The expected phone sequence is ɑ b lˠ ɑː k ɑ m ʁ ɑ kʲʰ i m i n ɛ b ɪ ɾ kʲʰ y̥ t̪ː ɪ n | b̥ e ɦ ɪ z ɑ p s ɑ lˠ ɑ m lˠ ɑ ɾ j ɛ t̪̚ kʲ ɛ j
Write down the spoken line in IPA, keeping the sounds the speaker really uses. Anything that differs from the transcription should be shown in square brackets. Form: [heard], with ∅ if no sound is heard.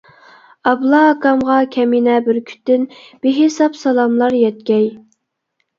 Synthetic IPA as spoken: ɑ b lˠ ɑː k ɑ m ʁ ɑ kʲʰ [ɛ] m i n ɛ b ɪ ɾ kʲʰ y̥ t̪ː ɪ n | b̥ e ɦ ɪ [s] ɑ p s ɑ lˠ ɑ m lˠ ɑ ɾ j ɛ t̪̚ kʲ ɛ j